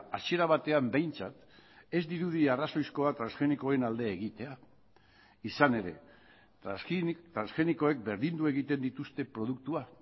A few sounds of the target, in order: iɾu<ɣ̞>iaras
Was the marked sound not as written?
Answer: yes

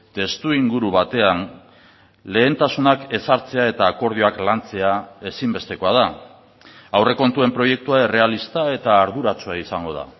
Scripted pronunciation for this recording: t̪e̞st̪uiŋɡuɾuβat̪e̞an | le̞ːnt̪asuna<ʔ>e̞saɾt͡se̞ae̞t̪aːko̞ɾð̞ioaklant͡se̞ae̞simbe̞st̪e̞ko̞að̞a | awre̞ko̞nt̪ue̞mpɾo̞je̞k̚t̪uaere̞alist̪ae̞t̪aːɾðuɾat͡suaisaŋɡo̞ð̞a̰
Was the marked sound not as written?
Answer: yes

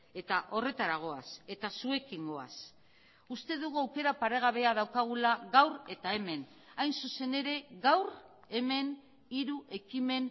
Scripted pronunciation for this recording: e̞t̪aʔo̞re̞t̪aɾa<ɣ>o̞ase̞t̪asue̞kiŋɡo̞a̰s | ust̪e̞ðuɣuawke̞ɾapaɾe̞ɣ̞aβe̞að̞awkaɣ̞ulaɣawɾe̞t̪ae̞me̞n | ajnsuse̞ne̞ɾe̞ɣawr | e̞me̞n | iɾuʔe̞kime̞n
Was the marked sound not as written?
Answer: no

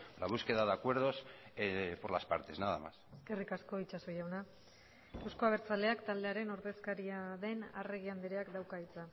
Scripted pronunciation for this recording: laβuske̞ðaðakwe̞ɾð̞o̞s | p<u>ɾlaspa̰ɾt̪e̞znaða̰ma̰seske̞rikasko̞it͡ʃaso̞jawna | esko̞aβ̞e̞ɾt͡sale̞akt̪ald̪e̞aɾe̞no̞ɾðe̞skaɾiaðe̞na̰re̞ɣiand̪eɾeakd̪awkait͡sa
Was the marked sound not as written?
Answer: yes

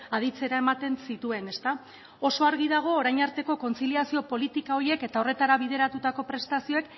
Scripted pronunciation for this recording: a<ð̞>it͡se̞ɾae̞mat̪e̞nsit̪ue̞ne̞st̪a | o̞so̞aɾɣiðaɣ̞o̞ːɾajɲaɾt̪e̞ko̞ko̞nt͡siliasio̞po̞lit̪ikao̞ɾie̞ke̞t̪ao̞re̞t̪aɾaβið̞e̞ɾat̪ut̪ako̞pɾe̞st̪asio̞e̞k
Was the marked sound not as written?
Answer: no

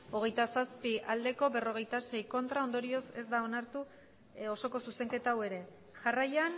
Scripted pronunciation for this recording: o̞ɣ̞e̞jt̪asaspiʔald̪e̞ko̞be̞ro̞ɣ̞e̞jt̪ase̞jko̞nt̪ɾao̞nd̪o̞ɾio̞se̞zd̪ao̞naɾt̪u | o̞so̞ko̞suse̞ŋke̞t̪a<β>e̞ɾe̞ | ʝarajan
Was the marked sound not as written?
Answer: yes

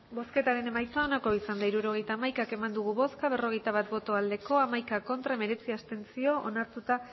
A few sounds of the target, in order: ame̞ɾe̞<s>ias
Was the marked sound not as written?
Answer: yes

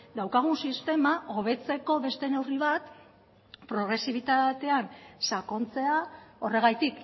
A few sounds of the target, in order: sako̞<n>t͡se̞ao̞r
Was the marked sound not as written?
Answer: no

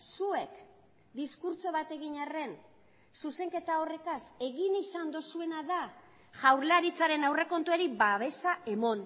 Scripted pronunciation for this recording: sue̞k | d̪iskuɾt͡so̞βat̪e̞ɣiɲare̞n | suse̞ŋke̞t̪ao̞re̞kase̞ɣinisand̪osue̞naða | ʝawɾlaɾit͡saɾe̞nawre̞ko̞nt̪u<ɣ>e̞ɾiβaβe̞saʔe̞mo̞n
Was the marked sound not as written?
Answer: yes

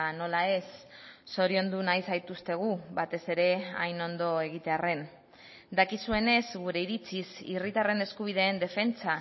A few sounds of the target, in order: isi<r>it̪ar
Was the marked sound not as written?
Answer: no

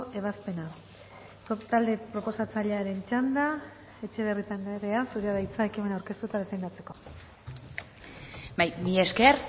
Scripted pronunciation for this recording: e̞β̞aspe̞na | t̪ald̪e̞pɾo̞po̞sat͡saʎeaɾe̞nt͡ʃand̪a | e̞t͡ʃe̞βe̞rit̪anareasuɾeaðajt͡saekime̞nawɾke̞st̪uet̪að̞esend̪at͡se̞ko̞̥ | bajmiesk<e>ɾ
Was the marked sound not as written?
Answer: no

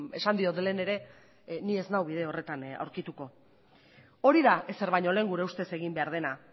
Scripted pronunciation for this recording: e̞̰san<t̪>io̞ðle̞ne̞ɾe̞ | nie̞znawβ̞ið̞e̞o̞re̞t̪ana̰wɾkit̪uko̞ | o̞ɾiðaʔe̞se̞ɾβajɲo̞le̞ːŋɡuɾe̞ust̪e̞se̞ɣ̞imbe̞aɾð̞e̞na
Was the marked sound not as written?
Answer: yes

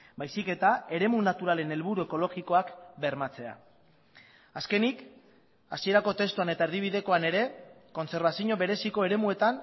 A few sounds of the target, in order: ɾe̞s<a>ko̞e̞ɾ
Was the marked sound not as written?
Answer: yes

